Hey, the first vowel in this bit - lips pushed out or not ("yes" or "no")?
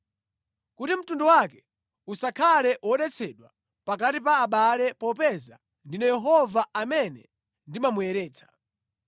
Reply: yes